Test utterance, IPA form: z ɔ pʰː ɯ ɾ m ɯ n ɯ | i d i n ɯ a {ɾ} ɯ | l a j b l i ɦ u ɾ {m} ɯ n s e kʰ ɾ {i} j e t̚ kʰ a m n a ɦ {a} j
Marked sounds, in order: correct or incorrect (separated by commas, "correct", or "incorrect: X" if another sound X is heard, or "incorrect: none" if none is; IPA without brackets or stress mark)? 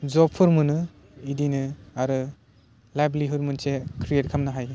correct, correct, correct, correct